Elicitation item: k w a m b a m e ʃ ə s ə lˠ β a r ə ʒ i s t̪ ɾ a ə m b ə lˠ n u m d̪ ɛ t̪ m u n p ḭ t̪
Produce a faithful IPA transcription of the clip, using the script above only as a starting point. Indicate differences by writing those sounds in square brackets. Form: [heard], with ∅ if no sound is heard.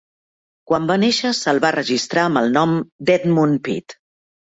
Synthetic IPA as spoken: k w a m b a [n] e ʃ ə s ə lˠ β a r ə ʒ i s t̪ ɾ a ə m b ə lˠ n [ɔ] m d̪ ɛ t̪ m u n p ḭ t̪